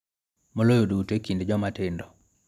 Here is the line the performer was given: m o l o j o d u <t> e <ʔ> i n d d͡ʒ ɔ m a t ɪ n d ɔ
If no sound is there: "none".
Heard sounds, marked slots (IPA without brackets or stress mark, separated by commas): t, k